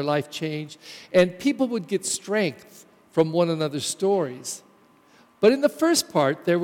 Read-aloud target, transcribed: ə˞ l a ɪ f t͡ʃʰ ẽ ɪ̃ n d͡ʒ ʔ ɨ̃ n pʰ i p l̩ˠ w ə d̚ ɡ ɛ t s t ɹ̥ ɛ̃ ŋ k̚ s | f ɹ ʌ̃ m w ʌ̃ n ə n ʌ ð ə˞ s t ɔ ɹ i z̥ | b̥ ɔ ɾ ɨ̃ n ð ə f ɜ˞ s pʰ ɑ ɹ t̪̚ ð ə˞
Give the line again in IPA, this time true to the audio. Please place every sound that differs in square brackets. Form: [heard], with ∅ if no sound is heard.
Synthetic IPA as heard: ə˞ l a ɪ f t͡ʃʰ ẽ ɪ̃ n d͡ʒ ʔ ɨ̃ n pʰ i p l̩ˠ w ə d̚ ɡ ɛ t s t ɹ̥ ɛ̃ ŋ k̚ [θ] | f ɹ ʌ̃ m w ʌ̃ n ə n ʌ ð ə˞ s t ɔ ɹ i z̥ | b̥ [ʌ] ɾ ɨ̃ n ð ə f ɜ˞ s pʰ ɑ ɹ t̪̚ ð ə˞